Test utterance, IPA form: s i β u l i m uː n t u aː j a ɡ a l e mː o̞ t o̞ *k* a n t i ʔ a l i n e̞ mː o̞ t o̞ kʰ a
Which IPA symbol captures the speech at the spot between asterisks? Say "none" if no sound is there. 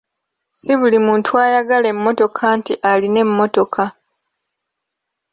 kʰ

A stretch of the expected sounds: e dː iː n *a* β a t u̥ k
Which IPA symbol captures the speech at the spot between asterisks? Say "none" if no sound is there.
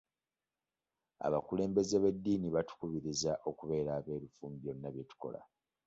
i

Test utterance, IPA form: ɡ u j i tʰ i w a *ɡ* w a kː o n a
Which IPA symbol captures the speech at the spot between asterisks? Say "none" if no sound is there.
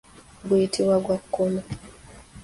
ɡ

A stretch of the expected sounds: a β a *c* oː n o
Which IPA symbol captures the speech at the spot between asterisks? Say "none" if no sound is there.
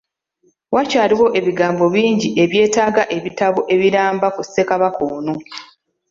k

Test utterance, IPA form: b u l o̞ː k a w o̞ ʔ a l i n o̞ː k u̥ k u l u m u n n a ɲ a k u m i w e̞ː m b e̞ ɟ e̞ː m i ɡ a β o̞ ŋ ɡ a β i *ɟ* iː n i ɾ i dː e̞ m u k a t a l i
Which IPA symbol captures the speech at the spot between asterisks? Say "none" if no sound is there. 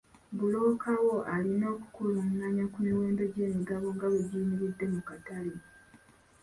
ɟ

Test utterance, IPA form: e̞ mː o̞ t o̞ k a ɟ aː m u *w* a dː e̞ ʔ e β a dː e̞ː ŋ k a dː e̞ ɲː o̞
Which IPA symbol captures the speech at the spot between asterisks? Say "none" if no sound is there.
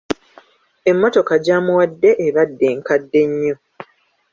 w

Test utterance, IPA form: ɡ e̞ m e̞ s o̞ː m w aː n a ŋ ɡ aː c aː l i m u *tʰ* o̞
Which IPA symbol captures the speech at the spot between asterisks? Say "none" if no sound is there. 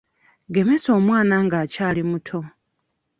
tʰ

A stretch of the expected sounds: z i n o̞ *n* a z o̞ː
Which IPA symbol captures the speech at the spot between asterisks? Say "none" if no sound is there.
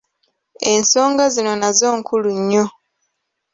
n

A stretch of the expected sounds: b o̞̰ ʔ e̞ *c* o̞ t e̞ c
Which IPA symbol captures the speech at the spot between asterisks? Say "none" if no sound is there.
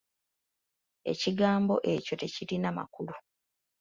c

